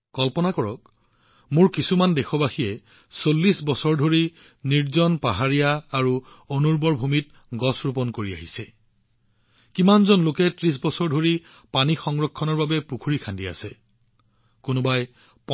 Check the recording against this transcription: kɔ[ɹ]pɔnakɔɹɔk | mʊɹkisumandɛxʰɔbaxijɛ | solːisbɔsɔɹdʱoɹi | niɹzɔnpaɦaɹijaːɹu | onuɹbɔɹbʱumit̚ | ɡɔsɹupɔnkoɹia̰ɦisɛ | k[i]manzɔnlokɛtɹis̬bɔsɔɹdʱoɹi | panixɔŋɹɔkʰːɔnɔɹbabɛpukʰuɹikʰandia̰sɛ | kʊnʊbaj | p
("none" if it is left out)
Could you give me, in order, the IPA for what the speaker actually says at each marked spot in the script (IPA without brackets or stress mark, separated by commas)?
l, i